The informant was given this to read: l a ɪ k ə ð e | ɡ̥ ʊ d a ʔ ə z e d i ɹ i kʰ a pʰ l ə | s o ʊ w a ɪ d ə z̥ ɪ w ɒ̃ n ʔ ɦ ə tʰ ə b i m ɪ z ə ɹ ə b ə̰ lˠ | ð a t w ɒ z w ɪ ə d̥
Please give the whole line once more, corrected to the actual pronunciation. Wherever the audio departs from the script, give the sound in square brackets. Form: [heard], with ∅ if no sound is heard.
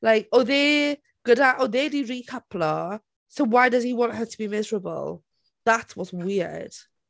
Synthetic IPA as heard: l a ɪ k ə ð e | ɡ̥ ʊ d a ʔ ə [ð] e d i ɹ i kʰ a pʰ l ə | s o ʊ w a ɪ d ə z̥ [i] w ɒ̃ n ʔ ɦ ə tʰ ə b i m ɪ z ə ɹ ə b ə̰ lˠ | ð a t w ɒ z w ɪ ə d̥